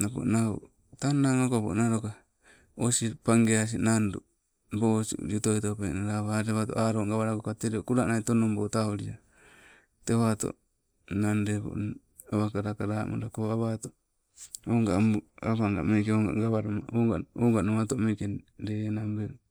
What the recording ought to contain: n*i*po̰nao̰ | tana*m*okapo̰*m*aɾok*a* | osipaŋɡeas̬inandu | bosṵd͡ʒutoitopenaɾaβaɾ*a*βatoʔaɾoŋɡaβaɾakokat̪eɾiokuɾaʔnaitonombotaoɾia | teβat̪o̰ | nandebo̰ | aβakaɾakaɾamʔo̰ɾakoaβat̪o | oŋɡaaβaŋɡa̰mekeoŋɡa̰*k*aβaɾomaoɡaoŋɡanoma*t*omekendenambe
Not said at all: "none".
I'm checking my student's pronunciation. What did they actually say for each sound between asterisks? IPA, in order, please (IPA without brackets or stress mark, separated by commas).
a, ŋ, n, a, e, ɡ, t